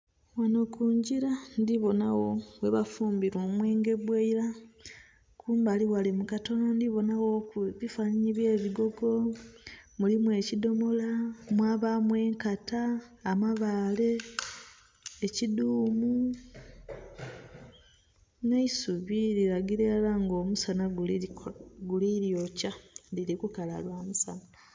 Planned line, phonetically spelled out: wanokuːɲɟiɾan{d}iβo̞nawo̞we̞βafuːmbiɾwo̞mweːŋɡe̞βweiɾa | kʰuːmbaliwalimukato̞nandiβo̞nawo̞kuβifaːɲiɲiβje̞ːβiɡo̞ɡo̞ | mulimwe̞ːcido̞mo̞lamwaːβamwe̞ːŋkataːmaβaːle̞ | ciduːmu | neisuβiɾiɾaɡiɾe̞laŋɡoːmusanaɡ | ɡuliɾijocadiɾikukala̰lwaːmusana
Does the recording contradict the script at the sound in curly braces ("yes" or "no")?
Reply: no